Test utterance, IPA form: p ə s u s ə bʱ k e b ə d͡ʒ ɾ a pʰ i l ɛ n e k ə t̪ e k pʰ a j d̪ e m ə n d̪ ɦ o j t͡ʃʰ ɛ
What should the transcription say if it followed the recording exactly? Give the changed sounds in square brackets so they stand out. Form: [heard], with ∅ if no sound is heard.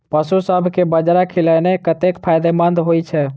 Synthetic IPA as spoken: p ə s u s ə bʱ k e b ə d͡ʒ ɾ a [kʰ] i l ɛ n e k ə t̪ e k pʰ a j d̪ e m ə n d̪ ɦ o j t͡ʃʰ ɛ